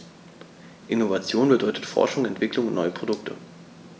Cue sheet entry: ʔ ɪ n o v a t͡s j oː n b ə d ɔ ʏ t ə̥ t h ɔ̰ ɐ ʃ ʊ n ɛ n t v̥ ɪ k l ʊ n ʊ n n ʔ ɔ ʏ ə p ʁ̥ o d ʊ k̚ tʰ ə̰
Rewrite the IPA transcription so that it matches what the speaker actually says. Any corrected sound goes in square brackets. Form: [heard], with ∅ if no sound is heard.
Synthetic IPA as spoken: ʔ ɪ n o v a t͡s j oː n b ə d ɔ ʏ t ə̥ t [f] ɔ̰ ɐ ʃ ʊ [ŋ] ɛ n t v̥ ɪ k l ʊ [ŋ] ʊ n n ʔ ɔ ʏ ə p ʁ̥ o d ʊ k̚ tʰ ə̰